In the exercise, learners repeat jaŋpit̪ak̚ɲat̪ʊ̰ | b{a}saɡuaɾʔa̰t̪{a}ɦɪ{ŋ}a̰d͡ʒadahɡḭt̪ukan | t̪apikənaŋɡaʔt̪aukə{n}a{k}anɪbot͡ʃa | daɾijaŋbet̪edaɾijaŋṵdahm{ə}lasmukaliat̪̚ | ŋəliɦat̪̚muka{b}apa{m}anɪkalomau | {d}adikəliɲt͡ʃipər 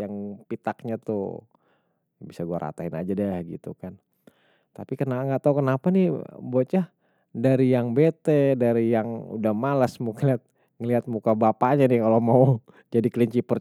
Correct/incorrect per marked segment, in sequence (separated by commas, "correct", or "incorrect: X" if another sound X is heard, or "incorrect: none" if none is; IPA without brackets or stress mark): incorrect: i, correct, incorrect: n, correct, incorrect: p, incorrect: a, correct, incorrect: ɲ, incorrect: d͡ʒ